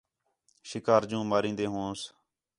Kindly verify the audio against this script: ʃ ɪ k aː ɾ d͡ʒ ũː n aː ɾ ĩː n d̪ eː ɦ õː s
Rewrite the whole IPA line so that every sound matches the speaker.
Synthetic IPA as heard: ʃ ɪ k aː ɾ d͡ʒ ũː m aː ɾ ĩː n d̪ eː ɦ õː s